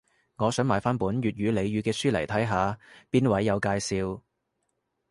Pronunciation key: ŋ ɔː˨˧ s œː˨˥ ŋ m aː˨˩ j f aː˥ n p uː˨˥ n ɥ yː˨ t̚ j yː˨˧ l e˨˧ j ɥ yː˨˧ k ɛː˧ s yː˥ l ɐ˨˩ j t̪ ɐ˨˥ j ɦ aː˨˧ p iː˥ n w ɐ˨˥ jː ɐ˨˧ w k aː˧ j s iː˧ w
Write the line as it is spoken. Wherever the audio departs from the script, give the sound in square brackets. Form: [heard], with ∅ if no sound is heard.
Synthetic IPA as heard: ŋ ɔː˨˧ s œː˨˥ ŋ m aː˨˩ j f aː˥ n p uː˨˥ n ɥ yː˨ t̚ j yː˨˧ l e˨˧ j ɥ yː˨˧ k ɛː˧ s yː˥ l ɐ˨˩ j [t̪ʰ] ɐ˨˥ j ɦ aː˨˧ p iː˥ n w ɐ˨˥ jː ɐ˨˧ w k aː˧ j s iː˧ w